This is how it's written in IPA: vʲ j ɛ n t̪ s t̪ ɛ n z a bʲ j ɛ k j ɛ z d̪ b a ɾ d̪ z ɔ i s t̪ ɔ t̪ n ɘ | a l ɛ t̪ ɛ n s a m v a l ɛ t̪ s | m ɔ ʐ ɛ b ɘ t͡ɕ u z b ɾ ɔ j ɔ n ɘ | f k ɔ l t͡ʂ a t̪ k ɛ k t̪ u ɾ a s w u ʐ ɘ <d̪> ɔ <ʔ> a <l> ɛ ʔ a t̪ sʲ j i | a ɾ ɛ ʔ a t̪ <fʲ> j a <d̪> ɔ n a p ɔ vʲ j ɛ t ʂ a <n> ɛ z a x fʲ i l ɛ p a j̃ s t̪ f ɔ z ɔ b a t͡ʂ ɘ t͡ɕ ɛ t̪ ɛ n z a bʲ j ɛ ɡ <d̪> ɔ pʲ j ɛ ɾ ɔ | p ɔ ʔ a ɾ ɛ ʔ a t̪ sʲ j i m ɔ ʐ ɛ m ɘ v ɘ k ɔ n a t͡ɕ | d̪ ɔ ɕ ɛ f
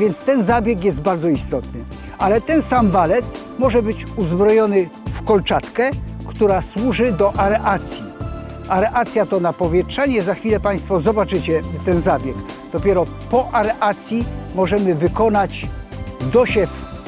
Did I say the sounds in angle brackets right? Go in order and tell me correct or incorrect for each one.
correct, correct, incorrect: ɾ, incorrect: sʲ, incorrect: t̪, incorrect: ɲ, correct

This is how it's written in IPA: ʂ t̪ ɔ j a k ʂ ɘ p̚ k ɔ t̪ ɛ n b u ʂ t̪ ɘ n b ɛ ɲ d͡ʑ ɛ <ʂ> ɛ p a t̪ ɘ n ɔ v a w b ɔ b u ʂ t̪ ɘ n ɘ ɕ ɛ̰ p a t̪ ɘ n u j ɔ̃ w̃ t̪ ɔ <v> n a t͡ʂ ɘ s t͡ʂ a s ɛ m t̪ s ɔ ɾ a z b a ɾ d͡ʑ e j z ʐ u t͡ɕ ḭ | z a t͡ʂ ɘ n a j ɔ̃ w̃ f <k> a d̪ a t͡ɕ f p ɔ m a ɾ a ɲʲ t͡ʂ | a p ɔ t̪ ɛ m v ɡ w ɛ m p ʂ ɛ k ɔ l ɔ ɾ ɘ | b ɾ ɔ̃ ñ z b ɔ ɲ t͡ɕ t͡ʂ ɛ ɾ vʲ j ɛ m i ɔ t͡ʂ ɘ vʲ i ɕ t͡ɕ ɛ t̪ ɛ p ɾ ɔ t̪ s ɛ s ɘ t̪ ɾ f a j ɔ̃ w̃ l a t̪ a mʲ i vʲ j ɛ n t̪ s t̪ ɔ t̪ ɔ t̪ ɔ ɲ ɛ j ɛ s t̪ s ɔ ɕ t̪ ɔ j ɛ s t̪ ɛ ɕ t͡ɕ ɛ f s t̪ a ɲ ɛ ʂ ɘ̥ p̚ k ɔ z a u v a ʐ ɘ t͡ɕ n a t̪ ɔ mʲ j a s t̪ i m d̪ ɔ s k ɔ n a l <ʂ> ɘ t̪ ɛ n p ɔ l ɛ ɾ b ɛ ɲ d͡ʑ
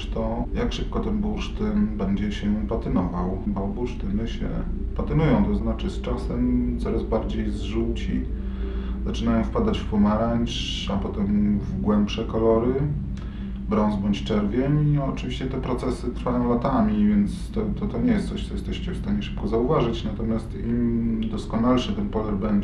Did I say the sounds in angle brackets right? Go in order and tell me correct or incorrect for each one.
incorrect: ɕ, incorrect: z, incorrect: p, correct

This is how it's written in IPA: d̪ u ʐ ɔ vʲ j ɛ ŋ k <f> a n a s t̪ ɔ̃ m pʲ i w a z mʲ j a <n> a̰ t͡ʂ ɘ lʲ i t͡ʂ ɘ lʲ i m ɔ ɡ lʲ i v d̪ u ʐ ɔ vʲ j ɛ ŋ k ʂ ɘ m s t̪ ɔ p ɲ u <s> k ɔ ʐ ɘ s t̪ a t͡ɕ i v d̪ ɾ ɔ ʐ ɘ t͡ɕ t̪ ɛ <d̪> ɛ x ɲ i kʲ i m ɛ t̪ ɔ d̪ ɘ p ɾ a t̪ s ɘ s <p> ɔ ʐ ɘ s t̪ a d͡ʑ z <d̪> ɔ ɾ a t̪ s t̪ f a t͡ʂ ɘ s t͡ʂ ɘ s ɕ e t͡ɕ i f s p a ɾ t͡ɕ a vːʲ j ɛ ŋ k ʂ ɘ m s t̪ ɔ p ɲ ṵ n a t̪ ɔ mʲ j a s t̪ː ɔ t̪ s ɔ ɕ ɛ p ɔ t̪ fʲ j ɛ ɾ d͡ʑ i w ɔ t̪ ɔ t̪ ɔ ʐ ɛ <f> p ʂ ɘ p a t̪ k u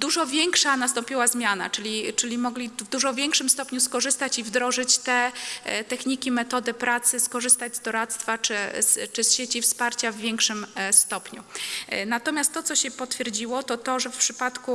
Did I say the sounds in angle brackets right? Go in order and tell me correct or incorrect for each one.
incorrect: ʂ, correct, correct, incorrect: t̪, incorrect: k, correct, correct

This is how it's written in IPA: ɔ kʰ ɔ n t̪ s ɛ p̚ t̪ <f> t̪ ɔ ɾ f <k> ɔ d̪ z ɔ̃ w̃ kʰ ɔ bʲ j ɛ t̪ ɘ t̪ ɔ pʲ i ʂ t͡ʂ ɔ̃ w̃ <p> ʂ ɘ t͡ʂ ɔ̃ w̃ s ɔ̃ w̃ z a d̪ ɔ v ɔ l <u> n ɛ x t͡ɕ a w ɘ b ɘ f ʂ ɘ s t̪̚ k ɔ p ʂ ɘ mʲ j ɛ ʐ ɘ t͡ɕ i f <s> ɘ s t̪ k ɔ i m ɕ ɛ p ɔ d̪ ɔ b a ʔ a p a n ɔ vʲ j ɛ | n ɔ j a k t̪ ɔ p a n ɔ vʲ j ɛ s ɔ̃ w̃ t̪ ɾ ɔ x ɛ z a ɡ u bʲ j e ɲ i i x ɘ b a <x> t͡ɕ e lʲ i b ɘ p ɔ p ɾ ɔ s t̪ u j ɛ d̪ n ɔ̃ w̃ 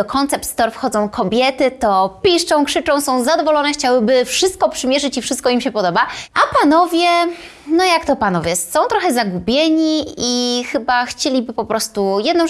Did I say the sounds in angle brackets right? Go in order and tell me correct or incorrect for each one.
incorrect: s, incorrect: x, incorrect: k, incorrect: ɔ, incorrect: ʂ, correct

